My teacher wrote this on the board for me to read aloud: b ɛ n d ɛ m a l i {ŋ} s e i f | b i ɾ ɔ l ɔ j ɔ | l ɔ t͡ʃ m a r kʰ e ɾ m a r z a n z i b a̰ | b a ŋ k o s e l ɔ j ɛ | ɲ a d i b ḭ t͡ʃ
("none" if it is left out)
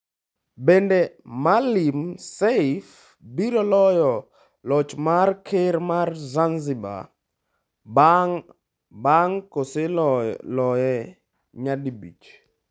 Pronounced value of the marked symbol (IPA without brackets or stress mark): m